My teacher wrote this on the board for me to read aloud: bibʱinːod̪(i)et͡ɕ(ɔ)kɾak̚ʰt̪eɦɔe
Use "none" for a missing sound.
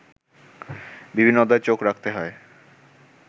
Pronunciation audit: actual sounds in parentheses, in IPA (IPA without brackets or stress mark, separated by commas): a, o